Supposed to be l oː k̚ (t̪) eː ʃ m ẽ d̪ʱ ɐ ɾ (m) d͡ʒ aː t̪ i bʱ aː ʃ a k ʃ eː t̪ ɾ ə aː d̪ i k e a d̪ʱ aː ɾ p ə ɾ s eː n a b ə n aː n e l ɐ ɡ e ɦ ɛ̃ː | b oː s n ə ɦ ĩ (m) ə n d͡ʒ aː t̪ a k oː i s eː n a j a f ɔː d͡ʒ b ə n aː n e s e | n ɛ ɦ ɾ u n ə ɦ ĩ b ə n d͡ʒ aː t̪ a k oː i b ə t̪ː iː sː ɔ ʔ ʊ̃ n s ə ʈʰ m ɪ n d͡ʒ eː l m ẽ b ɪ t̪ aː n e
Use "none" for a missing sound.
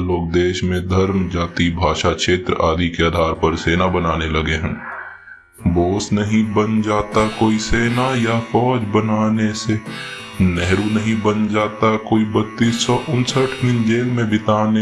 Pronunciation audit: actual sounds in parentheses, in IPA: d̪, m, b

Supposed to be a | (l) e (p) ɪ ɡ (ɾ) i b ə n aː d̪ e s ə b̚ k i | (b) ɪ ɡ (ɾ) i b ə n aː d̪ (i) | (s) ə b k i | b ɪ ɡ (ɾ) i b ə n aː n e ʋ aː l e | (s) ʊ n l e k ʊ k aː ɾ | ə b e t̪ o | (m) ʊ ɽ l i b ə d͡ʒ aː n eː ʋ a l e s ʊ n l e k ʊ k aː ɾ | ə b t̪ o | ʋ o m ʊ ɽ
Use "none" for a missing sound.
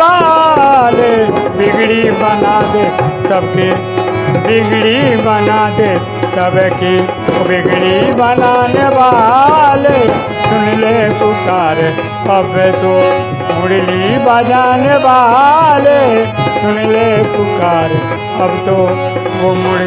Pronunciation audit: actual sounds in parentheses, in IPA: l, b, ɽ, b, ɽ, e, s, ɽ, s, m

